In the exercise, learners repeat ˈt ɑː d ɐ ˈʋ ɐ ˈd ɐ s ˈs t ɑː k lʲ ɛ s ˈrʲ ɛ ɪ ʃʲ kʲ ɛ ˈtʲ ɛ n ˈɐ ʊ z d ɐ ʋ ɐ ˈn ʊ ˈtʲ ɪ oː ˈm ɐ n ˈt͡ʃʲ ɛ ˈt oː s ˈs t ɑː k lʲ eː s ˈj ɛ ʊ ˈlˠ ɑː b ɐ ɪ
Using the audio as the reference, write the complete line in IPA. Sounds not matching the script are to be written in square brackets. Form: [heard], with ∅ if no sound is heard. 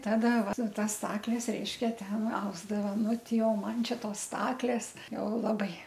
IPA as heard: ˈt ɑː d ɐ ˈʋ ɐ [ˈt] ɐ s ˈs t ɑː k lʲ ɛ s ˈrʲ ɛ ɪ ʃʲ kʲ ɛ ˈtʲ ɛ n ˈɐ ʊ z d ɐ ʋ ɐ ˈn ʊ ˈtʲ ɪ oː ˈm ɐ n ˈt͡ʃʲ ɛ ˈt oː s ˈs t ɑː k lʲ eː s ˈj ɛ ʊ ˈlˠ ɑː b ɐ ɪ